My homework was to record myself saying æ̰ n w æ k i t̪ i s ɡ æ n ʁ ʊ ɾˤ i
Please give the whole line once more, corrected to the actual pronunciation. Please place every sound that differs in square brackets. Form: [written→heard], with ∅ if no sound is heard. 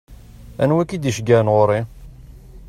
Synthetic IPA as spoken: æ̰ n w æ k i [t̪→d̪] i [s→ʃ] ɡ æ n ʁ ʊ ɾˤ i